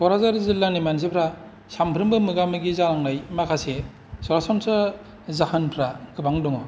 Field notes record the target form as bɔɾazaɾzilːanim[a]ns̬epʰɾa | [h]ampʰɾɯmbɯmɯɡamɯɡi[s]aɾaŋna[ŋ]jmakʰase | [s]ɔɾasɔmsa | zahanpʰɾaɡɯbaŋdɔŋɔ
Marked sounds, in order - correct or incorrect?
correct, incorrect: s, incorrect: z, incorrect: none, correct

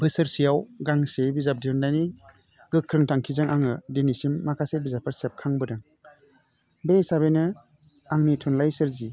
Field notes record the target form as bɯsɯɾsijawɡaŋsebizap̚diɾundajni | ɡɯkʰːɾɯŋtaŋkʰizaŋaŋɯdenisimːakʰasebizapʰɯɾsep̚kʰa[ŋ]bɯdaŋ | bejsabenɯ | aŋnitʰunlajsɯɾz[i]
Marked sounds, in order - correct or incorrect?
correct, correct

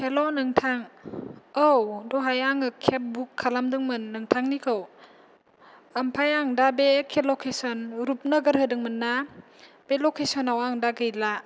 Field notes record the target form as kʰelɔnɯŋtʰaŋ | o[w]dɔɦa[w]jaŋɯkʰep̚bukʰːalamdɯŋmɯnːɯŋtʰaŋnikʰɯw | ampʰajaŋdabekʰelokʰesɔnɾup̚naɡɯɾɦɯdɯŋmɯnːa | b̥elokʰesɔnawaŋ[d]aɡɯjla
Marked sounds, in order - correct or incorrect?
correct, incorrect: none, correct

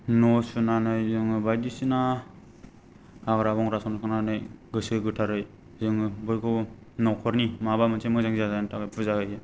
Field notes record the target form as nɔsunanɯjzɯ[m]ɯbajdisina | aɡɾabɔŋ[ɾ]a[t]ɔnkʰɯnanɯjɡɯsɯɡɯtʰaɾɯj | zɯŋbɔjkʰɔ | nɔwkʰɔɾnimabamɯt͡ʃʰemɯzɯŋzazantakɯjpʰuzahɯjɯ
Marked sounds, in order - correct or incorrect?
incorrect: ŋ, correct, incorrect: s

